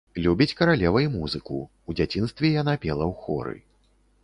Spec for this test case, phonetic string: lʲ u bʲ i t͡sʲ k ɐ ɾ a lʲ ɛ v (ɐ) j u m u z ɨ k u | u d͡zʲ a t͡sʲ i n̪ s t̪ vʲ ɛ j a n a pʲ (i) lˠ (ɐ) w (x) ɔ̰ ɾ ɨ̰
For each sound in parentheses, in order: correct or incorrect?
correct, incorrect, correct, correct

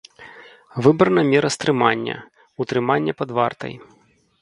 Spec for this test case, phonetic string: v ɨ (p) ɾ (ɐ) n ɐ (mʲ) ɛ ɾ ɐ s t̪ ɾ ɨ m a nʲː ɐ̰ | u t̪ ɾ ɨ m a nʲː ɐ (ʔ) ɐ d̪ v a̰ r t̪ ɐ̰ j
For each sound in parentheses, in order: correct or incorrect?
incorrect, correct, correct, incorrect

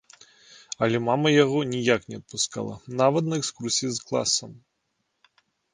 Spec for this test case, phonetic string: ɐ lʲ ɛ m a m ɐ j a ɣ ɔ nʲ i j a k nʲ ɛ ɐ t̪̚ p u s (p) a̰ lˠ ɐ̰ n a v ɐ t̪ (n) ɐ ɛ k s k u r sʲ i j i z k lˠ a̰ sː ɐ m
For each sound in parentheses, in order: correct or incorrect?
incorrect, correct

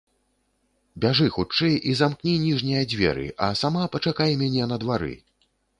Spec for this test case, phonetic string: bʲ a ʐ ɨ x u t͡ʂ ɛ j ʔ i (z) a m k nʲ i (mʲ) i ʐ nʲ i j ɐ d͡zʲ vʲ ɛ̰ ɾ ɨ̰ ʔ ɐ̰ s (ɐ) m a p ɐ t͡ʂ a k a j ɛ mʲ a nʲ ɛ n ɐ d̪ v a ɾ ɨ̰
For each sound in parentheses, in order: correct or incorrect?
correct, incorrect, incorrect

